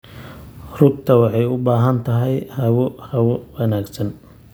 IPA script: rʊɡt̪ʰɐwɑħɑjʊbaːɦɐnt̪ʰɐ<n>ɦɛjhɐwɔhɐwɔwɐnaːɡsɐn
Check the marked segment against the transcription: incorrect: none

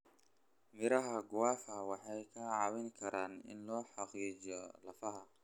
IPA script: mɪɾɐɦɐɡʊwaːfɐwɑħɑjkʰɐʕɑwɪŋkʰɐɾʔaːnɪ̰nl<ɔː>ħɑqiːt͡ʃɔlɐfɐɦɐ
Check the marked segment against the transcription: correct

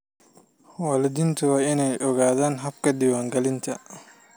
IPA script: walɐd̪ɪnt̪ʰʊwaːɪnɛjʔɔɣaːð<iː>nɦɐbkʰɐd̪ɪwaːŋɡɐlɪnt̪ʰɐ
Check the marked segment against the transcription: incorrect: aː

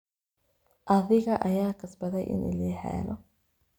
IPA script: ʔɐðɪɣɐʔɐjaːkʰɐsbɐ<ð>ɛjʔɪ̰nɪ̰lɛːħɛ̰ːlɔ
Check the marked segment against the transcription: correct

